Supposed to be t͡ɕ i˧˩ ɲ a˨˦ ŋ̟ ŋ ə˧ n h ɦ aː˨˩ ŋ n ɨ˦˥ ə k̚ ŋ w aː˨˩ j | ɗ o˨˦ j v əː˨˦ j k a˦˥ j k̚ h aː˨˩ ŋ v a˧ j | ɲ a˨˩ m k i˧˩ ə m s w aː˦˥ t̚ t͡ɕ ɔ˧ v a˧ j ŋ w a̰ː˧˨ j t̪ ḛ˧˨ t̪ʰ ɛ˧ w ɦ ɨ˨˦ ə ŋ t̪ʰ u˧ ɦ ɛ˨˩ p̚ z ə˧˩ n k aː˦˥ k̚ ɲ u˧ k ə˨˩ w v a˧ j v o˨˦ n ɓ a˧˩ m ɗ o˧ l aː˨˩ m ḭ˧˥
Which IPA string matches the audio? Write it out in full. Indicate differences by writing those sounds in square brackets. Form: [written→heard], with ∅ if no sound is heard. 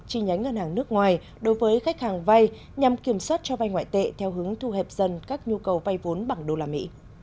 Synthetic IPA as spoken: t͡ɕ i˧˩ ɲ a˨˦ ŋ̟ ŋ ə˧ n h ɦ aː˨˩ ŋ n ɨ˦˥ ə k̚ ŋ w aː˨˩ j | ɗ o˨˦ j v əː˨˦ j [k→x] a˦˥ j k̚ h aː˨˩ ŋ v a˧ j | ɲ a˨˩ m k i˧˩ ə m s w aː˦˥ t̚ t͡ɕ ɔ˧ v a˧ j ŋ w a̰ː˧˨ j t̪ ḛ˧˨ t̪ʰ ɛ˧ w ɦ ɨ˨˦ ə ŋ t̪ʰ u˧ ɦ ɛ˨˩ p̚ z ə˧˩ n k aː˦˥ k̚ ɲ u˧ k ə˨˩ w v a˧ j v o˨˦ n ɓ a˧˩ [m→ŋ] ɗ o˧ l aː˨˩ m ḭ˧˥